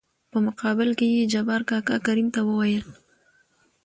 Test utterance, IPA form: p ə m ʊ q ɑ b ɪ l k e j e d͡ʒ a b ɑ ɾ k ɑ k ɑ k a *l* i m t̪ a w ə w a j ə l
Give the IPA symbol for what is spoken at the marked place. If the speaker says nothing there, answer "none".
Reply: ɾ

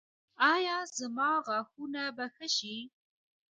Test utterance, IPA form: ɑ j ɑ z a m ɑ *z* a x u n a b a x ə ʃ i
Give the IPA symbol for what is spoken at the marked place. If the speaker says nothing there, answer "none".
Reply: ɣ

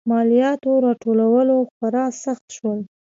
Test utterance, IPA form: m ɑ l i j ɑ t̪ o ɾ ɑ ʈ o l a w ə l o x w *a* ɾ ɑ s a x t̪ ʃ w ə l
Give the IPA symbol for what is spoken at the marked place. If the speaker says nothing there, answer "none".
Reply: a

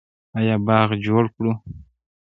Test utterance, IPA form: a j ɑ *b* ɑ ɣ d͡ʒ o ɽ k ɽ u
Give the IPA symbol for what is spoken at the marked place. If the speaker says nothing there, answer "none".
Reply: b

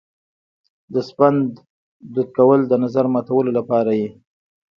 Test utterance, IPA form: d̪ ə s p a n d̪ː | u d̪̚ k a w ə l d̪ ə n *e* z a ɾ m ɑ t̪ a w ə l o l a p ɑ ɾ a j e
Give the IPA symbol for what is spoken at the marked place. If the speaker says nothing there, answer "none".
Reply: a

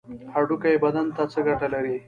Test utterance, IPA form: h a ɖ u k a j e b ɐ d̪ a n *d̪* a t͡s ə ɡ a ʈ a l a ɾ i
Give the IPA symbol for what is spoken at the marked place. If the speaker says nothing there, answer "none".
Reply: t̪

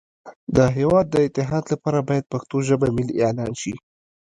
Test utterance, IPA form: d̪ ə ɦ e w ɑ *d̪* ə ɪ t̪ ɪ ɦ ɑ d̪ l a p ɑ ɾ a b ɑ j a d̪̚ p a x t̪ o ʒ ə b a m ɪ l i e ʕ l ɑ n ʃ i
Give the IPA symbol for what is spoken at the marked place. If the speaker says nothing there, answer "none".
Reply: d̪ː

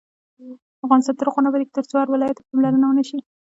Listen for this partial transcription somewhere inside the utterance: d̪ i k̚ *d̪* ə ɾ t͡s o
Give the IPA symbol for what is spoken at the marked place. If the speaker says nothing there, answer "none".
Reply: t̪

